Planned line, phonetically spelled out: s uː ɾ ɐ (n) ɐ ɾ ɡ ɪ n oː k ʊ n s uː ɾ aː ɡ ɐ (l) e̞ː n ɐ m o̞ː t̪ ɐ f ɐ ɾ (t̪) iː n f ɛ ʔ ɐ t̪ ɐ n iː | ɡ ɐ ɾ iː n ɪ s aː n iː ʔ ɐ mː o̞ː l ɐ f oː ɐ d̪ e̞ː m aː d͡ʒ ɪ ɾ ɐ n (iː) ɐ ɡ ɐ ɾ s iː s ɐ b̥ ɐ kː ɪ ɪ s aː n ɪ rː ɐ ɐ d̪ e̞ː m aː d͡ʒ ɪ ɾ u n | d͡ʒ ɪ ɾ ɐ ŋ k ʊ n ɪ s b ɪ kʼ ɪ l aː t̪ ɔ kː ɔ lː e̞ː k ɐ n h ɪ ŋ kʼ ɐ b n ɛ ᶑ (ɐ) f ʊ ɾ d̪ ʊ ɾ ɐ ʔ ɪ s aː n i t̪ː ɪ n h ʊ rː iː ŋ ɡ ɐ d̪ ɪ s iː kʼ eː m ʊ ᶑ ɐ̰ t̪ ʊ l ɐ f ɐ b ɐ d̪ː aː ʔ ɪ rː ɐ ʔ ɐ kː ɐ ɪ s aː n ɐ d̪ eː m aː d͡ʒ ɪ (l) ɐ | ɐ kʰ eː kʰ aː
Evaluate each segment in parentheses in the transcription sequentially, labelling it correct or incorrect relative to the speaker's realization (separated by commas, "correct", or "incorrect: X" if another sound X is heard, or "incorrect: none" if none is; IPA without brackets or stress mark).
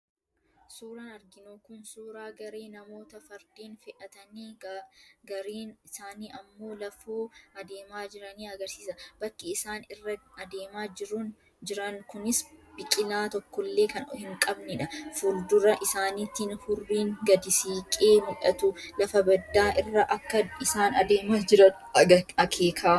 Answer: correct, incorrect: ɾ, incorrect: d̪, correct, correct, incorrect: ɾ